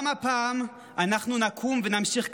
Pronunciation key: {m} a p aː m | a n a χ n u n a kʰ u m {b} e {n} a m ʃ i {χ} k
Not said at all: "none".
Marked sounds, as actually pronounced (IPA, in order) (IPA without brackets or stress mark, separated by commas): m, v, n, χ